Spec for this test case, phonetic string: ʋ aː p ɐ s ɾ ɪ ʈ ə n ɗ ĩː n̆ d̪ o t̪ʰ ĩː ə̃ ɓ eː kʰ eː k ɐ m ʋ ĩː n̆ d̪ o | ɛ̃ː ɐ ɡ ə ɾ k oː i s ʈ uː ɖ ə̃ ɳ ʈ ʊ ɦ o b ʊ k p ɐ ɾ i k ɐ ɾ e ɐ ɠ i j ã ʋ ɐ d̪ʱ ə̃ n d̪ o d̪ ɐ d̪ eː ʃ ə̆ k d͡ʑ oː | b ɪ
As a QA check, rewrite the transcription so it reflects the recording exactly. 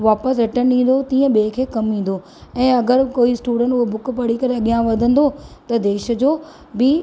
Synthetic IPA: ʋ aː p ə s ɾ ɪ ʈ ə n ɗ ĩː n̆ d̪ o t̪ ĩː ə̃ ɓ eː kʰ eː k ɐ m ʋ ĩː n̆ d̪ o | ɛ̃ː ɐ ɡ ə ɾ k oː i s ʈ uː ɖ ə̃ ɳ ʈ ʊ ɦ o b ʊ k p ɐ ɽ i k ɐ ɾ e ɐ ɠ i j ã ʋ ɐ d̪ʱ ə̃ n d̪ o t̪ ɐ d̪ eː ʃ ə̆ d͡ʑ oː | b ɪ